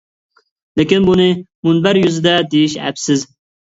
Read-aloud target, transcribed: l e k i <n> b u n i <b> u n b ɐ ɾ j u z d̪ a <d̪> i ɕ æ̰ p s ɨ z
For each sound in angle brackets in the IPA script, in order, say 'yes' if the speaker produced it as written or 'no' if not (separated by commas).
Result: yes, no, yes